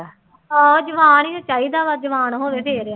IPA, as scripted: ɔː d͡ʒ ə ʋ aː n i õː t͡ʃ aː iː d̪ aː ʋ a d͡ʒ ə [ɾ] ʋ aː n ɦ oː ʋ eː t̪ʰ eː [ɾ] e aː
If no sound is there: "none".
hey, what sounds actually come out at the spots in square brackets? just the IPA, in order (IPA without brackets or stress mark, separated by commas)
none, ɾ